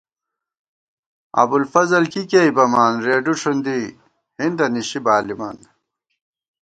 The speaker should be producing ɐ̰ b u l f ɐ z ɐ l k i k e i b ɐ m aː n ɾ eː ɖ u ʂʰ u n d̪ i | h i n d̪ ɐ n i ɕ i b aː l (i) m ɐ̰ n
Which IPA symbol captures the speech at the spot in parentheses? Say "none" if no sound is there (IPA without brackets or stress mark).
i